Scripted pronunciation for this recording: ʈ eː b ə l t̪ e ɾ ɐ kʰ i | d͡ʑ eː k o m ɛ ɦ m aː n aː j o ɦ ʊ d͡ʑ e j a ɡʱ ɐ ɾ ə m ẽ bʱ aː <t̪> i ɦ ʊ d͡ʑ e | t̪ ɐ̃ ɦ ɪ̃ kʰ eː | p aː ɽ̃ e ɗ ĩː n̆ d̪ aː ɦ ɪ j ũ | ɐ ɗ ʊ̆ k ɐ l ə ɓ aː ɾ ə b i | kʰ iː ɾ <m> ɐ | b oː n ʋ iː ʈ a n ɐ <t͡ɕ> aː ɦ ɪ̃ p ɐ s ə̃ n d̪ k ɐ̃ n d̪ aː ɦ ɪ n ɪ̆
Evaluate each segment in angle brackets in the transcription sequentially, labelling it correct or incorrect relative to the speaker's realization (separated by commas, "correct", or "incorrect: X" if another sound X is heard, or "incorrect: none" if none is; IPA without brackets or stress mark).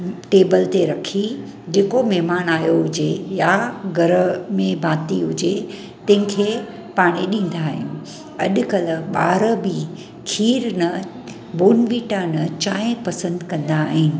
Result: correct, incorrect: n, correct